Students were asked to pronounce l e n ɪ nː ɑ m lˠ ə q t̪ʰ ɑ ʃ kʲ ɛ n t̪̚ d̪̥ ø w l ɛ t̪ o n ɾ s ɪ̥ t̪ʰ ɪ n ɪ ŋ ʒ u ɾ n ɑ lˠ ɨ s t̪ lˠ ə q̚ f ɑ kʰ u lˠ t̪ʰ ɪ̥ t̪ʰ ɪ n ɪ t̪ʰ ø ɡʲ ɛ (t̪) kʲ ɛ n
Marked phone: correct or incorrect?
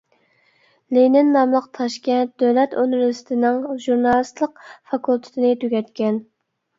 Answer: correct